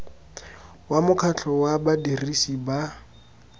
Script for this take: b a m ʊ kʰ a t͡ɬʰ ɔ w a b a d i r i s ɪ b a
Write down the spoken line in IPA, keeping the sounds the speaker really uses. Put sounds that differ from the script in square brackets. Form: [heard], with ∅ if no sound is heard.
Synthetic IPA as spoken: [w] a m ʊ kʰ a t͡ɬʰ ɔ w a b a d i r i s [i] b a